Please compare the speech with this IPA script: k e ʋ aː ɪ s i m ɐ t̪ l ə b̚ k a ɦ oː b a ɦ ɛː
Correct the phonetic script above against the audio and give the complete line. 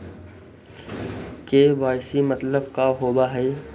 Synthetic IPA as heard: k e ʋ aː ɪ s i m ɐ t̪ l ə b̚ k a ɦ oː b a ɦ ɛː